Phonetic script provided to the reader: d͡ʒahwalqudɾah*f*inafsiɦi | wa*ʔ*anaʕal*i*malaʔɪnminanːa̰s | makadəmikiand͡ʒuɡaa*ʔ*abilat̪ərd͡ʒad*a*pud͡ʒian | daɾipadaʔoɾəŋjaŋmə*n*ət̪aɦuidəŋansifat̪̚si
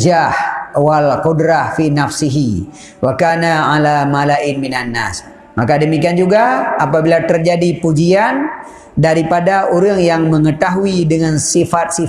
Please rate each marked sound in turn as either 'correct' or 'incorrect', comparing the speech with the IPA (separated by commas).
correct, incorrect, incorrect, incorrect, incorrect, incorrect